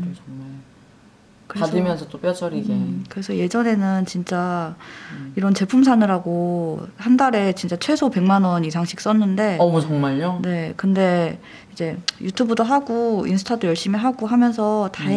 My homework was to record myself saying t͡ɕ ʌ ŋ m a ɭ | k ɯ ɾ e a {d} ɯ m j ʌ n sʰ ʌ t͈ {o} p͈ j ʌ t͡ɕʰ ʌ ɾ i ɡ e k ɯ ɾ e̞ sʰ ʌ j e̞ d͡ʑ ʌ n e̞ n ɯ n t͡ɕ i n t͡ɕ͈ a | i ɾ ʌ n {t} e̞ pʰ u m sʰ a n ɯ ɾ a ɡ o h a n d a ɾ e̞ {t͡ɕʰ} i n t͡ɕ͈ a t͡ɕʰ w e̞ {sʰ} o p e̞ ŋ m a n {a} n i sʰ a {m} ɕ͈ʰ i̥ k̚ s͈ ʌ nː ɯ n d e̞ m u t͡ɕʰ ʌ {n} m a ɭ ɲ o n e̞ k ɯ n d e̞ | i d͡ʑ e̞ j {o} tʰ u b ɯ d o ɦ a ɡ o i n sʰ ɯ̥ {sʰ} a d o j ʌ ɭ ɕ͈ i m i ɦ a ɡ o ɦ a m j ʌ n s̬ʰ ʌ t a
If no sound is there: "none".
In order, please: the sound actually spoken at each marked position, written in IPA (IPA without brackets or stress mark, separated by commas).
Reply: d, o, t͡ɕ, t͡ɕ, sʰ, ʌ, ŋ, ŋ, u, tʰ